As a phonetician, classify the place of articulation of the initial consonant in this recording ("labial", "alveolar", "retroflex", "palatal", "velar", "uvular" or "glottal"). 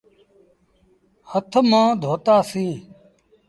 glottal